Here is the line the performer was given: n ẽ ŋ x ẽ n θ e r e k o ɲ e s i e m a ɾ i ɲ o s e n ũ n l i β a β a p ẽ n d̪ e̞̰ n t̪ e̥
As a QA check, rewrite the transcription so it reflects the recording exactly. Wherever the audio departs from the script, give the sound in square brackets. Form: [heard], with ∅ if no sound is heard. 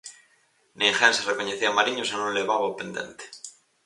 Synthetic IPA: n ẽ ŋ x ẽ n [s] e r e k o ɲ e [θ] i [a] m a ɾ i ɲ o s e n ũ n l [e] β a β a p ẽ n d̪ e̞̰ n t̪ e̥